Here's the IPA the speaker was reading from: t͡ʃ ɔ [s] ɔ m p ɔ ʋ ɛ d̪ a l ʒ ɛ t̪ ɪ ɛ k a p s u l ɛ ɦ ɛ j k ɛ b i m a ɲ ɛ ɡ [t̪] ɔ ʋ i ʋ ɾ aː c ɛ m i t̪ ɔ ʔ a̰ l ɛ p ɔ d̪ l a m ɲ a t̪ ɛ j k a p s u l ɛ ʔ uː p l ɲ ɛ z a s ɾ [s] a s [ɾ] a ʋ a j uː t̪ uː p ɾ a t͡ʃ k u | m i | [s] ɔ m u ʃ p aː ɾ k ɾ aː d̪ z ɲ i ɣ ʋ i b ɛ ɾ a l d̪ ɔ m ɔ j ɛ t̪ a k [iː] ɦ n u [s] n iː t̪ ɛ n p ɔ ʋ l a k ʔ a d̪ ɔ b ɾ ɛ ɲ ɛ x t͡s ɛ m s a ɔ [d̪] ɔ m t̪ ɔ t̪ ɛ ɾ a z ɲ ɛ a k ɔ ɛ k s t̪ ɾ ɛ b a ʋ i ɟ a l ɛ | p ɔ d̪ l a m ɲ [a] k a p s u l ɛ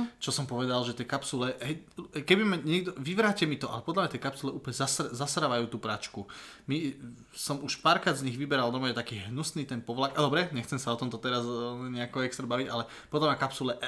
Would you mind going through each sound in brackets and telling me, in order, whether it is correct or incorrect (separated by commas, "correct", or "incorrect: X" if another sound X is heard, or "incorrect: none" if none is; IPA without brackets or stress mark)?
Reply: correct, incorrect: d̪, incorrect: z, correct, correct, correct, correct, incorrect: t̪, correct